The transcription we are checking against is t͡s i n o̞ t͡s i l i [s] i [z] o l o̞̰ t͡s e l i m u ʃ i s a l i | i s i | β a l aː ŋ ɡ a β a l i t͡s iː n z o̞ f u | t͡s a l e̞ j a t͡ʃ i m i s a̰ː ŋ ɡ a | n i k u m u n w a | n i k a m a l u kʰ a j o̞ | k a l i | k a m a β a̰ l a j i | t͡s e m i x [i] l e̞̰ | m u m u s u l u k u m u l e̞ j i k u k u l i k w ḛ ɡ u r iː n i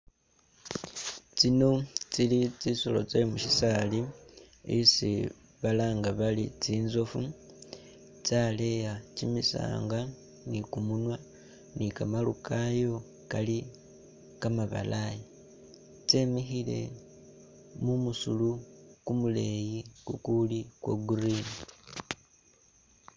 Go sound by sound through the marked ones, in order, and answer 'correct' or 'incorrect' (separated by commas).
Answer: incorrect, incorrect, correct